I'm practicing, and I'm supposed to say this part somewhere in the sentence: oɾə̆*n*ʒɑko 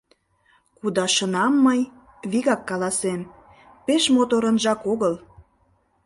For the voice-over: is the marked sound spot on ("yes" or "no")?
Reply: yes